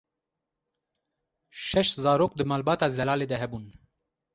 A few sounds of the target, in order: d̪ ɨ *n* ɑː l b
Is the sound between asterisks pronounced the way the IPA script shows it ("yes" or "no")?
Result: no